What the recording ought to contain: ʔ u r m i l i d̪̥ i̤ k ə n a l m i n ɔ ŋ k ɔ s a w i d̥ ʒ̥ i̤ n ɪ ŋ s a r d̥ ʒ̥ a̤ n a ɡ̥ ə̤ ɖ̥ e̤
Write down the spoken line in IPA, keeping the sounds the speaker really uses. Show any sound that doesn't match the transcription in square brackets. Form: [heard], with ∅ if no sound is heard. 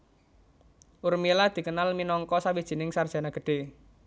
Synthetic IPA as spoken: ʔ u r m i l [a] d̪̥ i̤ k ə n a l m i n ɔ ŋ k ɔ s a w i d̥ ʒ̥ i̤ n ɪ ŋ s a r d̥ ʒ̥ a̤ n a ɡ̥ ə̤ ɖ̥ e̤